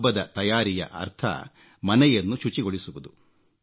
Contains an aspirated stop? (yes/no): yes